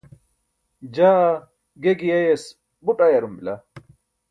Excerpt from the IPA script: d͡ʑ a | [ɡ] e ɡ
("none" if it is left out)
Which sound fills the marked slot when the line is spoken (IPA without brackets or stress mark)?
ɡ